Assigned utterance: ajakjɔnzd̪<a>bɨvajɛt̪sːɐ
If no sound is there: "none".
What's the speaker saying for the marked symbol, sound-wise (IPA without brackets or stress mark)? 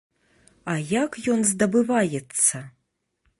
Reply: ɐ